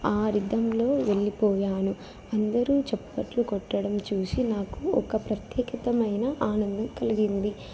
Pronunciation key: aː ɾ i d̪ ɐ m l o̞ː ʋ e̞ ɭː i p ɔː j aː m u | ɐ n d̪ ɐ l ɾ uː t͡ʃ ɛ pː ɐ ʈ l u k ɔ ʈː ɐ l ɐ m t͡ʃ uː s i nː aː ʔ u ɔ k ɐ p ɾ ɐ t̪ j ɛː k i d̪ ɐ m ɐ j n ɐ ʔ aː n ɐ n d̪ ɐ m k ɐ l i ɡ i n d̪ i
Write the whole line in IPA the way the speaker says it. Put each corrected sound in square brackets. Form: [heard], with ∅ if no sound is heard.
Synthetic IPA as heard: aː ɾ i d̪ ɐ m l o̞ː ʋ e̞ ɭː i p ɔː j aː [n] u | ɐ n d̪ ɐ [∅] ɾ uː t͡ʃ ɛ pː ɐ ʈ l u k ɔ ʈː ɐ [ɽ] ɐ m t͡ʃ uː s i [n] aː [k] u ɔ k ɐ p ɾ ɐ t̪ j ɛː k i [t̪] ɐ m ɐ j n ɐ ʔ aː n ɐ n d̪ ɐ m k ɐ l i ɡ i n d̪ i